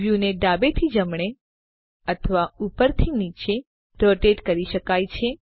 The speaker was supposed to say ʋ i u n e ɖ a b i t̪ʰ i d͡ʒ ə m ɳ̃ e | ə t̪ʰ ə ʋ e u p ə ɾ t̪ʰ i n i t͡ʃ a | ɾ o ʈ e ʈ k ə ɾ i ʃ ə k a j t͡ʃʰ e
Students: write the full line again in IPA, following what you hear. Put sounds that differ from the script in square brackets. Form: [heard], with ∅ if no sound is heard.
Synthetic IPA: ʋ [j] u n e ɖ a b [e] t̪ʰ i d͡ʒ ə m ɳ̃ e | ə t̪ʰ ə ʋ [a] u p ə ɾ t̪ʰ i n i t͡ʃ [e] | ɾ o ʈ e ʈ k ə ɾ i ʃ ə k a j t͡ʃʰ e

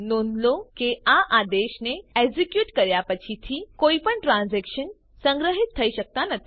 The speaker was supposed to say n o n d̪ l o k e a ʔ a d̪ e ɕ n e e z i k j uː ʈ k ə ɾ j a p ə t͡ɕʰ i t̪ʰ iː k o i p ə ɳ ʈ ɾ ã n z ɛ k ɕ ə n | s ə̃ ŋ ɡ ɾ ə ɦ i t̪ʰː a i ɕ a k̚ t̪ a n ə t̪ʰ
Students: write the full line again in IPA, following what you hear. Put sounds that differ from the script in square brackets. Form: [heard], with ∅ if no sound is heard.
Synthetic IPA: n o n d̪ l o k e a ʔ a d̪ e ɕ n e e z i k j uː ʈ k ə ɾ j a p ə t͡ɕʰ i t̪ʰ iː k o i p ə ɳ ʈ ɾ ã n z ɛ k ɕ ə n | s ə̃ ŋ ɡ ɾ ə ɦ i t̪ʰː [ə] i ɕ [ə] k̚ t̪ a n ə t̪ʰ

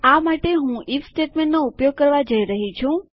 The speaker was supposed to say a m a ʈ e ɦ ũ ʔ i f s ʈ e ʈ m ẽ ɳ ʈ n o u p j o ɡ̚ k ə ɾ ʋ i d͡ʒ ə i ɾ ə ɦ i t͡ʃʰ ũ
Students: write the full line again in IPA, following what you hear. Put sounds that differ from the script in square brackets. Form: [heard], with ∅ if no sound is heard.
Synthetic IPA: a m a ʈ e ɦ ũ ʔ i f s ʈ e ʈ m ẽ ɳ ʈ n o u p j o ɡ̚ k ə ɾ ʋ [a] d͡ʒ ə i ɾ ə ɦ i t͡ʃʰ ũ

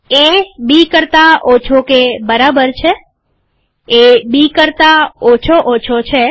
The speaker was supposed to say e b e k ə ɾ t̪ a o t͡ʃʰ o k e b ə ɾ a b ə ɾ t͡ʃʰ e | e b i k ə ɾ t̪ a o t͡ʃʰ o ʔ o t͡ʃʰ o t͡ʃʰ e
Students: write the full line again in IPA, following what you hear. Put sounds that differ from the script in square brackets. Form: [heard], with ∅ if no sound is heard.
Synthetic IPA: e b [i] k ə ɾ t̪ a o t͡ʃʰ o k e b ə ɾ a b ə ɾ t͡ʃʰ e | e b i k ə ɾ t̪ a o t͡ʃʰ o ʔ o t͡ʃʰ o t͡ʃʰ e

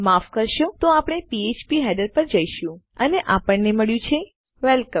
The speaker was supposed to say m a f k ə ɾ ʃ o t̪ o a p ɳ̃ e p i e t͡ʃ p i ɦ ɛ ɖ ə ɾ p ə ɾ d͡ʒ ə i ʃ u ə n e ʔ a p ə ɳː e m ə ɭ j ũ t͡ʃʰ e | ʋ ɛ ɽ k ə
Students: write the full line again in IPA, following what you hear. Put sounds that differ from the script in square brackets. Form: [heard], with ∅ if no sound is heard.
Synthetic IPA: m a f k ə ɾ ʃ o t̪ o a p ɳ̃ e p i e t͡ʃ p i ɦ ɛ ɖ ə ɾ p ə ɾ d͡ʒ ə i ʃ [ũ] ə n e ʔ a p ə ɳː e m ə ɭ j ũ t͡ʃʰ e | ʋ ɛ [l] k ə

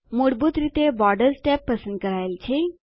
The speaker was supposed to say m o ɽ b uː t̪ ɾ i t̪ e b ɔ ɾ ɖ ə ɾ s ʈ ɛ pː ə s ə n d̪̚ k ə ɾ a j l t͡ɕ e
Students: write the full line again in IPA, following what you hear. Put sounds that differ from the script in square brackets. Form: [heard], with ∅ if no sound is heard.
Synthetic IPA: m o ɽ b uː t̪ ɾ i t̪ e b ɔ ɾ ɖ ə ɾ s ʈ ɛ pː ə s ə n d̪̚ k ə ɾ a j l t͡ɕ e

